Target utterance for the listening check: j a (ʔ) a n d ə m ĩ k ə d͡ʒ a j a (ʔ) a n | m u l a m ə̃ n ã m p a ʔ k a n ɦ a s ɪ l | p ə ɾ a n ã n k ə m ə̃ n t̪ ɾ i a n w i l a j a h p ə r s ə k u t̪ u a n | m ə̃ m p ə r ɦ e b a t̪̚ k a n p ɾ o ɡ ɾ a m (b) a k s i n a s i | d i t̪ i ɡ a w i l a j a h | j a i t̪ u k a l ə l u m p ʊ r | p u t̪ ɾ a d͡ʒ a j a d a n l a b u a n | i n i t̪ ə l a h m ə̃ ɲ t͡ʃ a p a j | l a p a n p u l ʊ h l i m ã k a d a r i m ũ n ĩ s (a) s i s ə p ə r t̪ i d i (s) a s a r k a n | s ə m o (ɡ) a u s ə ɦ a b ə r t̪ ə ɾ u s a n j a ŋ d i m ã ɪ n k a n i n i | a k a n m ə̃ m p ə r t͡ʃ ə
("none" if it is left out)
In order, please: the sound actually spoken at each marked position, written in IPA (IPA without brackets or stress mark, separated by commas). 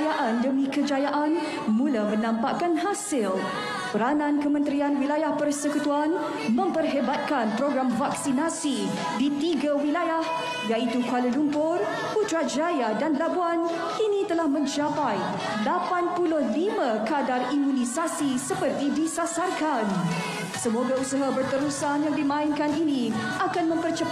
ʔ, ʔ, v, a, s, ɡ